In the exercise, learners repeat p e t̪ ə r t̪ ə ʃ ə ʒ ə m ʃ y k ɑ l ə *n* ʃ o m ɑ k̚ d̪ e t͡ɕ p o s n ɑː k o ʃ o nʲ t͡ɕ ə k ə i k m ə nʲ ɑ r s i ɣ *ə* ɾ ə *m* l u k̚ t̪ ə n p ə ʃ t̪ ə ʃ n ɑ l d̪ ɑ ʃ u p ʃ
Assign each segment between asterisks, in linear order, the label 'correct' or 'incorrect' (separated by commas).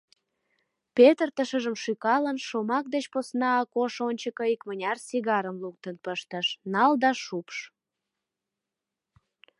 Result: correct, incorrect, correct